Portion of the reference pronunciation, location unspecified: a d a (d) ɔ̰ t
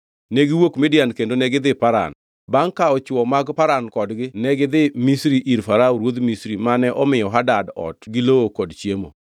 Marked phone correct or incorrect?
correct